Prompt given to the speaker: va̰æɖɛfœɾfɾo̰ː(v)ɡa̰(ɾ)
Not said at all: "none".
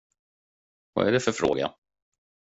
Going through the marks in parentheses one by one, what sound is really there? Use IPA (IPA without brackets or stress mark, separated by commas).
none, none